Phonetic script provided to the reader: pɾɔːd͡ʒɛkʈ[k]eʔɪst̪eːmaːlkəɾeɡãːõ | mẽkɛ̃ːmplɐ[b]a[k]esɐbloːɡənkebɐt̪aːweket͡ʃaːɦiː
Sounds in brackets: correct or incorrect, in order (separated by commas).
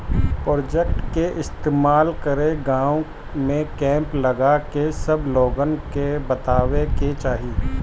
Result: correct, incorrect, correct